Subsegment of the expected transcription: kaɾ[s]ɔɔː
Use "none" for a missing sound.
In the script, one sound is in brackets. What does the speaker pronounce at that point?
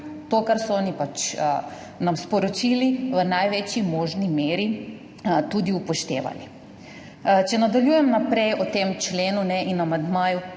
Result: s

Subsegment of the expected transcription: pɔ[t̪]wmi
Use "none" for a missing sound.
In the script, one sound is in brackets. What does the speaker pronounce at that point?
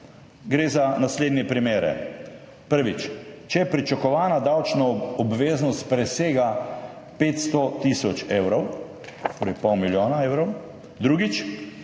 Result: none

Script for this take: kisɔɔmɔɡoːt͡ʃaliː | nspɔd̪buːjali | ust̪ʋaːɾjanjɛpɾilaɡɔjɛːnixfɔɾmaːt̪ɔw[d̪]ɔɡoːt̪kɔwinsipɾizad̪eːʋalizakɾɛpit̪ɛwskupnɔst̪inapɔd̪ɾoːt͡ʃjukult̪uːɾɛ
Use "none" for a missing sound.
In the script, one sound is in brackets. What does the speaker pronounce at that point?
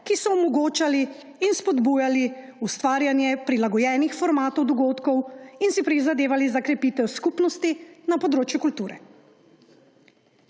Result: d̪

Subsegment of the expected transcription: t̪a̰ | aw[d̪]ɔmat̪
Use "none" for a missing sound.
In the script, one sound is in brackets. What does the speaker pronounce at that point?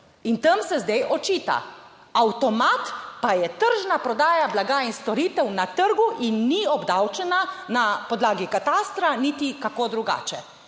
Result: t̪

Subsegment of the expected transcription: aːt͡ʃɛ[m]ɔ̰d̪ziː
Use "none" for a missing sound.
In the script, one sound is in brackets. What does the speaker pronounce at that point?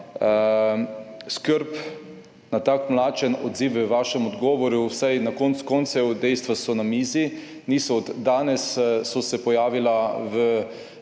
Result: n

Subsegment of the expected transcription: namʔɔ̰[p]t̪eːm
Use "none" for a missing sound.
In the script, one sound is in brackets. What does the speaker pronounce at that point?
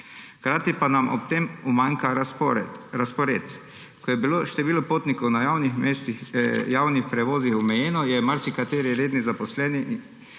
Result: p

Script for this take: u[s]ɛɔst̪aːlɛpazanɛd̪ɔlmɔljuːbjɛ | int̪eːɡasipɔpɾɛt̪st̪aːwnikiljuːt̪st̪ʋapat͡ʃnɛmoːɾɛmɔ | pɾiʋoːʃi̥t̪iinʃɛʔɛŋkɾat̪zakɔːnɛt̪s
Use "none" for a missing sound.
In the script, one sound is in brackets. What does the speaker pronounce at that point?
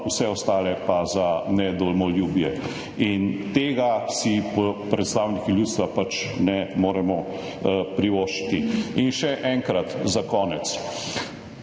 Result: s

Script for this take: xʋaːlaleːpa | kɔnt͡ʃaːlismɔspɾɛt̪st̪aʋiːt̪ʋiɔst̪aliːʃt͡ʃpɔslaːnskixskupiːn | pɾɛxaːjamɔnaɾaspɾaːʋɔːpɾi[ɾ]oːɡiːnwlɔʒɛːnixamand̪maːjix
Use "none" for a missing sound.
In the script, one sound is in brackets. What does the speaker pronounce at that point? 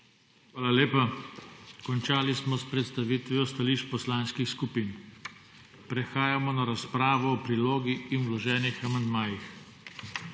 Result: l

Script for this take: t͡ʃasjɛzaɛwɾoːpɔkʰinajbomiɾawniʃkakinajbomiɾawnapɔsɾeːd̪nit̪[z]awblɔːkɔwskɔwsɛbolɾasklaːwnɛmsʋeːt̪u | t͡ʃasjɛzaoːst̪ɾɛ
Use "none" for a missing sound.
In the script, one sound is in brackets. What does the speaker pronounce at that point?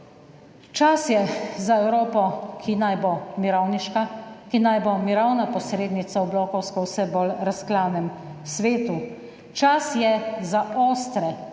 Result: s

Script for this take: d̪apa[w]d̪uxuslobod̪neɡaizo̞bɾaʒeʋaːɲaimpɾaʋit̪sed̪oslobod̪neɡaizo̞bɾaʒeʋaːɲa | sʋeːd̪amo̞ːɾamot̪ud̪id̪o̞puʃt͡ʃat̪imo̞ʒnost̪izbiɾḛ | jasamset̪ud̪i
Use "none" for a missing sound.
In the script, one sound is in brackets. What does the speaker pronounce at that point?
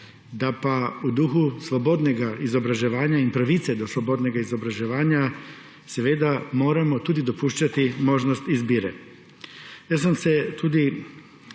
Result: u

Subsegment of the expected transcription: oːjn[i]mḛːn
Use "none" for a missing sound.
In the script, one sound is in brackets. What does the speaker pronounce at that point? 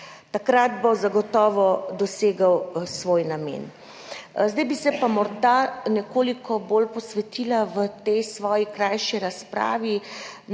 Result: a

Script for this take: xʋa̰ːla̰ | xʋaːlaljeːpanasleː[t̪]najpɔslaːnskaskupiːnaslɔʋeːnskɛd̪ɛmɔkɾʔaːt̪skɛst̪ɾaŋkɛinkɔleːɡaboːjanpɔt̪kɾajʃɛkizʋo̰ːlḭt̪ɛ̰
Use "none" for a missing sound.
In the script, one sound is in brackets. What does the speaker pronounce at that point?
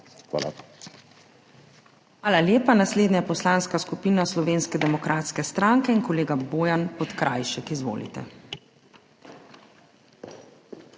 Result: d̪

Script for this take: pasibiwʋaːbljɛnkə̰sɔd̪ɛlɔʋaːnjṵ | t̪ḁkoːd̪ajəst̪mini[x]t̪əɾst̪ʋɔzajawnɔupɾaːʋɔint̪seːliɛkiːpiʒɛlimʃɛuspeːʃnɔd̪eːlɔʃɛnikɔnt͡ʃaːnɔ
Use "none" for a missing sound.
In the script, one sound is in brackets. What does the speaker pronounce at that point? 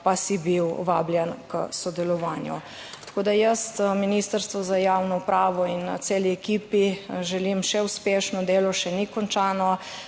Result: s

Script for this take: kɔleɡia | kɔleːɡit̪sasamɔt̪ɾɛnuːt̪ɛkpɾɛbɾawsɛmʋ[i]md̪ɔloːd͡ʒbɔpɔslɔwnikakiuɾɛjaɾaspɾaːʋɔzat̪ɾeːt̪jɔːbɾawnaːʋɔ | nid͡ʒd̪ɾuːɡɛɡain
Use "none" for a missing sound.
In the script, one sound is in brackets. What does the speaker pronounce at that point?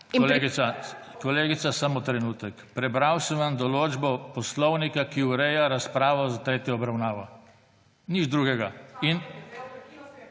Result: a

